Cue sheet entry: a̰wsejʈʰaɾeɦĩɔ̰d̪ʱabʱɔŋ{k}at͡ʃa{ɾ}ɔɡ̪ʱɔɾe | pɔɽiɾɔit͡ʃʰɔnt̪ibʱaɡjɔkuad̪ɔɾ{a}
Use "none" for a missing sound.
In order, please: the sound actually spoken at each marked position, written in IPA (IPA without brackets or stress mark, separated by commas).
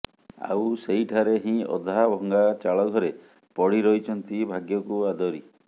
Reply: ɡ, ɭ, i